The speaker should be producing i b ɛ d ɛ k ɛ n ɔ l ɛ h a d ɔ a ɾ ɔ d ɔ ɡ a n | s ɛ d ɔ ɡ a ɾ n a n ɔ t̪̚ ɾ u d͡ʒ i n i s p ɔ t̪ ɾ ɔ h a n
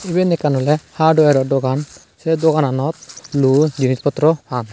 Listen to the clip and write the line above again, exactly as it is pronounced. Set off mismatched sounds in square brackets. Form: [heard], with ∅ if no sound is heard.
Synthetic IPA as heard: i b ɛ [n] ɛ k [a] n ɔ l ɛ h a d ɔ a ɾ ɔ d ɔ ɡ a n | s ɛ d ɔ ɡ a [∅] n a n ɔ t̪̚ [l] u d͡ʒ i n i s p ɔ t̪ ɾ ɔ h a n